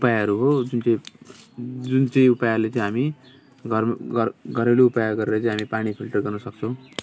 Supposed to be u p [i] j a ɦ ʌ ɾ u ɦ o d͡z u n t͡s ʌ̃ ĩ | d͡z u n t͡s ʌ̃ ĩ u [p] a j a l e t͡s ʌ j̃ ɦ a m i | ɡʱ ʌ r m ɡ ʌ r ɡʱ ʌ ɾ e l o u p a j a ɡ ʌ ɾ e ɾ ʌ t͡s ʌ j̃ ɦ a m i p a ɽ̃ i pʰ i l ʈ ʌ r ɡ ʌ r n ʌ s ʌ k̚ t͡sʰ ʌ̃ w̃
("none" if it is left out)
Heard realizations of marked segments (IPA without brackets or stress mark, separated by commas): a, p